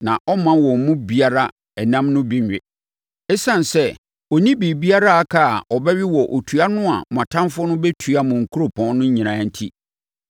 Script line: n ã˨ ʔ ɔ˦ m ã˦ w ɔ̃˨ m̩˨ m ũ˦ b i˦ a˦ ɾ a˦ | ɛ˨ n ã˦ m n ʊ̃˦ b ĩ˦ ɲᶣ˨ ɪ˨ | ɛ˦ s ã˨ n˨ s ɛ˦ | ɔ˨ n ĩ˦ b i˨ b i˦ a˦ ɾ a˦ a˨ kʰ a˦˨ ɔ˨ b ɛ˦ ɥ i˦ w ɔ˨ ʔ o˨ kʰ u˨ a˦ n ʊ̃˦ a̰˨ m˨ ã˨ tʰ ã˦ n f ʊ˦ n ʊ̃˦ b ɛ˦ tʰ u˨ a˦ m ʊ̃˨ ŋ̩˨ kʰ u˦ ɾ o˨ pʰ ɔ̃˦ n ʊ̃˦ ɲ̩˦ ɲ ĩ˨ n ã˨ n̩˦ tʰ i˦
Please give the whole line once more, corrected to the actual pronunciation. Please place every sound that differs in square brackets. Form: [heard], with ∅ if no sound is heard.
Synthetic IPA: n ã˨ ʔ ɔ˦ m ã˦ w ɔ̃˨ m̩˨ m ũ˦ b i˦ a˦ ɾ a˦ | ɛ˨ n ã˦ m n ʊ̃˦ b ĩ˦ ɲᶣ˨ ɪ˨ | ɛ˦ s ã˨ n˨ s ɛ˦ | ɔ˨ n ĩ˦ b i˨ b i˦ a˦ ɾ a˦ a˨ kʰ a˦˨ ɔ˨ b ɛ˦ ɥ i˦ w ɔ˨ ʔ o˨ [tʰ] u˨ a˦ n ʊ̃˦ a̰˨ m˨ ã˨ tʰ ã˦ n f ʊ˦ n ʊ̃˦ b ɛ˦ tʰ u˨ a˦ m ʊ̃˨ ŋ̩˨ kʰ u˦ ɾ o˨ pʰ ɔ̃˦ n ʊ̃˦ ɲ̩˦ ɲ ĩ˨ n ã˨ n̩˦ tʰ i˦